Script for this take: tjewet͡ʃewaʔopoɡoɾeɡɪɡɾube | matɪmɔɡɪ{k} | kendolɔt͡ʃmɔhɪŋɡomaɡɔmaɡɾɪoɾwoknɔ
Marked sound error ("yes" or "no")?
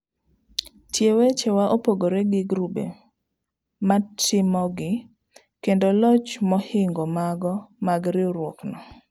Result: yes